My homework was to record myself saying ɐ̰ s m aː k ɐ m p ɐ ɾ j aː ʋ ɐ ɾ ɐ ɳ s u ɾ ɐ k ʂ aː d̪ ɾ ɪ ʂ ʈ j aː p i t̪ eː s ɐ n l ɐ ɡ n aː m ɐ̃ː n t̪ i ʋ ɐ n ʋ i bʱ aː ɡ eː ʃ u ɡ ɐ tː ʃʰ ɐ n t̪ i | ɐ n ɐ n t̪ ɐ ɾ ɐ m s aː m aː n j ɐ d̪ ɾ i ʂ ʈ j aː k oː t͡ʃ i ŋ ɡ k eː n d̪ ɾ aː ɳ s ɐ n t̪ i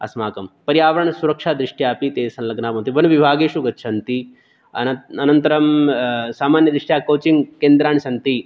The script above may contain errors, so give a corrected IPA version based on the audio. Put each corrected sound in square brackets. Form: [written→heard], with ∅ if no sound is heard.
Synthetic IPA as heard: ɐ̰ s m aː k ɐ m p ɐ ɾ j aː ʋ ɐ ɾ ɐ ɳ s u ɾ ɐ k ʂ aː d̪ ɾ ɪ ʂ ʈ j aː p i t̪ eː s ɐ n l ɐ ɡ n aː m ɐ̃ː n t̪ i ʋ ɐ n ʋ i bʱ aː ɡ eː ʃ u ɡ ɐ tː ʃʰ ɐ n t̪ i | ɐ n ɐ n t̪ ɐ ɾ ɐ m s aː m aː n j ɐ d̪ ɾ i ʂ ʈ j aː k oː t͡ʃ i ŋ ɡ k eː n d̪ ɾ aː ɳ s ɐ n t̪ i